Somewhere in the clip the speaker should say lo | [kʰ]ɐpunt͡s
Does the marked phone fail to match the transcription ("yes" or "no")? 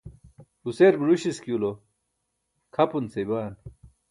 no